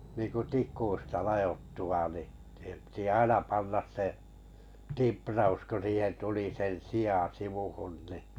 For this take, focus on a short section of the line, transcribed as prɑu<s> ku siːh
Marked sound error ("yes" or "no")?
no